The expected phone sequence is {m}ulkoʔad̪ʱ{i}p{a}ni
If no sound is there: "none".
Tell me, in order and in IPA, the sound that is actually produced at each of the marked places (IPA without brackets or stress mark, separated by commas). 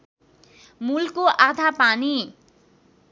m, a, a